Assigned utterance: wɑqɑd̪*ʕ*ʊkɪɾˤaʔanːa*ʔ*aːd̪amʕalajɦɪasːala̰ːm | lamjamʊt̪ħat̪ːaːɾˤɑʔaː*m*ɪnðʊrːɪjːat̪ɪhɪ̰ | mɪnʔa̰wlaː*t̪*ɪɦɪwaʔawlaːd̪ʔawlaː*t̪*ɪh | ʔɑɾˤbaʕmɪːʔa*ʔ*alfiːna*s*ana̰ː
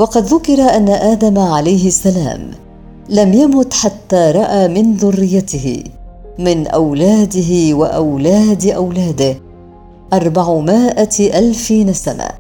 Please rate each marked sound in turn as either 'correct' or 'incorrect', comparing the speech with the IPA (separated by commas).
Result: incorrect, correct, correct, incorrect, incorrect, correct, correct